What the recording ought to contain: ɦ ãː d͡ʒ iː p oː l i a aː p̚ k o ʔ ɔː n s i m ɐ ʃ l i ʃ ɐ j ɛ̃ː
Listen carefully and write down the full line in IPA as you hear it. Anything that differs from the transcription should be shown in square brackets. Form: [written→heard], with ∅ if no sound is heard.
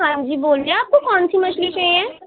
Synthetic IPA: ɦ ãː d͡ʒ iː [p→b] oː l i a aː p̚ k o [ʔ→k] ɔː n s i m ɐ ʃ l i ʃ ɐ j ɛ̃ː